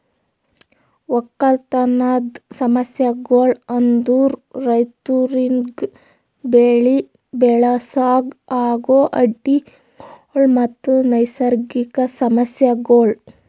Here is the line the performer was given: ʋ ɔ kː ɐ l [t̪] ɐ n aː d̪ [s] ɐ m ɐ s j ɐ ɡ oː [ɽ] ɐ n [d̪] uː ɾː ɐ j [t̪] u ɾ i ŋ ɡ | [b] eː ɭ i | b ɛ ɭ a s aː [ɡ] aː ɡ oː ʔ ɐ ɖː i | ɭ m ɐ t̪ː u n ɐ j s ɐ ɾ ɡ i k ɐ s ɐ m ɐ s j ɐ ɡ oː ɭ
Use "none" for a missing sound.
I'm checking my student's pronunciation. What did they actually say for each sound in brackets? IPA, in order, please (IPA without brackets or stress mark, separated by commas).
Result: t̪, s, ɭ, d̪, t̪, b, ɡ